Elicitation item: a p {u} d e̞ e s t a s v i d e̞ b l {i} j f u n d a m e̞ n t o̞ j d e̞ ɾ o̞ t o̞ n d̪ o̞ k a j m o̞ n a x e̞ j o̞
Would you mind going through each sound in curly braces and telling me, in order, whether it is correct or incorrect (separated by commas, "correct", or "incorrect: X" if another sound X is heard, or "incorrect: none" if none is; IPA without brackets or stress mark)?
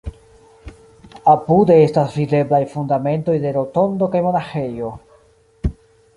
correct, incorrect: a